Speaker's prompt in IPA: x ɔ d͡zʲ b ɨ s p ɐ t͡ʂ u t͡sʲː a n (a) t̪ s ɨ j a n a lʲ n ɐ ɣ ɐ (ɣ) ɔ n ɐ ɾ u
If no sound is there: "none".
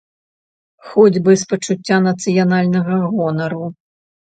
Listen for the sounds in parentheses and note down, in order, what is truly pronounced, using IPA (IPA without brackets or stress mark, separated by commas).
ɐ, ɣ